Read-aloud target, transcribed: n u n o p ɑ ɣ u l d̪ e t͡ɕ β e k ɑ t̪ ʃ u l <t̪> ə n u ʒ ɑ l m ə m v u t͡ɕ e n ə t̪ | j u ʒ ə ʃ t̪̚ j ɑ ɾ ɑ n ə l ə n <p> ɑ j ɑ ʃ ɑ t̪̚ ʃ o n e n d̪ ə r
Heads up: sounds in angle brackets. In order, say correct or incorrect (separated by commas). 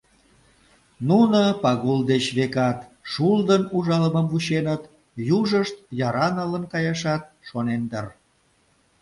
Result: incorrect, incorrect